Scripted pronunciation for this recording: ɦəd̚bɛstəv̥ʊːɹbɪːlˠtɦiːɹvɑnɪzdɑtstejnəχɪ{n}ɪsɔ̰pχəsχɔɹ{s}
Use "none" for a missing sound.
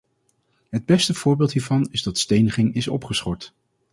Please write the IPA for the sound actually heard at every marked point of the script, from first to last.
ŋ, t

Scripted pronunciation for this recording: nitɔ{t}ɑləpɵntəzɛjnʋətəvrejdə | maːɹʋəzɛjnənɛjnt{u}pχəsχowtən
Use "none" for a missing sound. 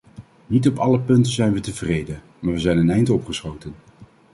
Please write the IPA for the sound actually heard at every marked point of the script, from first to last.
p, ɔ

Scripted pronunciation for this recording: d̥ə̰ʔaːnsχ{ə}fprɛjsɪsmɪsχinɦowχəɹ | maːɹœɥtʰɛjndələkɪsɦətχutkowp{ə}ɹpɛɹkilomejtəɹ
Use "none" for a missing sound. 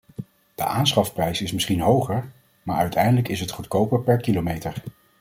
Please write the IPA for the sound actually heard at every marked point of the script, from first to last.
ɑ, ə

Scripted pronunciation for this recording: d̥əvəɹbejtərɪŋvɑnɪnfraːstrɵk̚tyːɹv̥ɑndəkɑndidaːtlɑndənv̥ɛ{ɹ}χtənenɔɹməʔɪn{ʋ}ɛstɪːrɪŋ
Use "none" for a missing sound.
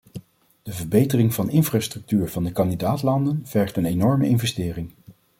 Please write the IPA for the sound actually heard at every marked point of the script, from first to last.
ɹ, v

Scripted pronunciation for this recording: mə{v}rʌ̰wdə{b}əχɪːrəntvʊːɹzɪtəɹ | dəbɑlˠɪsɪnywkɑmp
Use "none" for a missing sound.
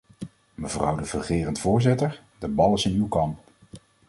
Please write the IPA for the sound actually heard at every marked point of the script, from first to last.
v, v

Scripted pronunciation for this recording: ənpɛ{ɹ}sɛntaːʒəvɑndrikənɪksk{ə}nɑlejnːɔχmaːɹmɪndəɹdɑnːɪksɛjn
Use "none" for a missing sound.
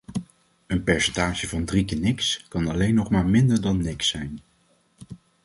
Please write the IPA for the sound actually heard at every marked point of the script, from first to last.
ɹ, ɑ

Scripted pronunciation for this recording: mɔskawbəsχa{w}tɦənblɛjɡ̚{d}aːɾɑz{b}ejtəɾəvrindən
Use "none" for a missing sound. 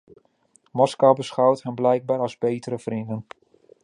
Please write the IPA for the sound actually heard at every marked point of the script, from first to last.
w, b, b

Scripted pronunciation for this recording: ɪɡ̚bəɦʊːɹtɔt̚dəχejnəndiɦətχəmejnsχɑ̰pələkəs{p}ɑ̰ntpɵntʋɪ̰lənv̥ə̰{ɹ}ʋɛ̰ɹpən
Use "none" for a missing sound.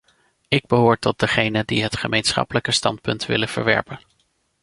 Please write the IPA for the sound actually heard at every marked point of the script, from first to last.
t, ɹ

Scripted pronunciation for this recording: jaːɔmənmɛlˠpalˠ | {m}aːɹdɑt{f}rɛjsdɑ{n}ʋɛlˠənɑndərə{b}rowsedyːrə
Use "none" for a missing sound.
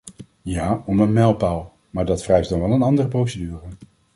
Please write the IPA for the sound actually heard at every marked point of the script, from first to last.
m, f, n, p

